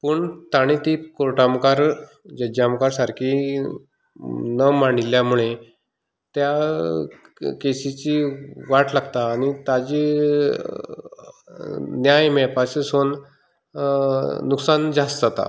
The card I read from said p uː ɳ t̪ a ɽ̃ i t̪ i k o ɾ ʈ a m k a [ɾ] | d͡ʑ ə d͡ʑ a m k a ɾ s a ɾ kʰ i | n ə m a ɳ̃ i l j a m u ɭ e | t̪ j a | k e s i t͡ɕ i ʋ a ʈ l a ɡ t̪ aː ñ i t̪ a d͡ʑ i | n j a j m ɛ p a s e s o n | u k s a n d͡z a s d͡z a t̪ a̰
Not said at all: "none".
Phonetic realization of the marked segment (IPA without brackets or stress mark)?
ɾ